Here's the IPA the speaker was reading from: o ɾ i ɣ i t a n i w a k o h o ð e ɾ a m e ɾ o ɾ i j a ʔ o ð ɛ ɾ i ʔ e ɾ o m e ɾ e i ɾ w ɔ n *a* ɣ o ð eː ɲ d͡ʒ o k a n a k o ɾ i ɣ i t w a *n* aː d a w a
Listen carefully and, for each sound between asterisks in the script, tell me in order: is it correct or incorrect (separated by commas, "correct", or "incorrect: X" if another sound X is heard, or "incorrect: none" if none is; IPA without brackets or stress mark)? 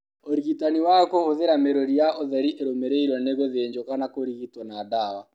incorrect: e, correct